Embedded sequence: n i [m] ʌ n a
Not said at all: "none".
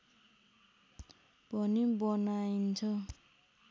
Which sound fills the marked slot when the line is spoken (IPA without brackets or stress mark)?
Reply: b